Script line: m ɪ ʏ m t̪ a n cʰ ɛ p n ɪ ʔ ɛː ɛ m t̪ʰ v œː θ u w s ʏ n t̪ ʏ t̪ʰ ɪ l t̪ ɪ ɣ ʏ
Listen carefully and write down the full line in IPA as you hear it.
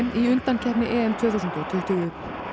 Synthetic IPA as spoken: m i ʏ n t̪ a n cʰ ɛ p n ɪ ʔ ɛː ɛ m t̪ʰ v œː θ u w s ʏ n t̪ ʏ t̪ʰ ɪ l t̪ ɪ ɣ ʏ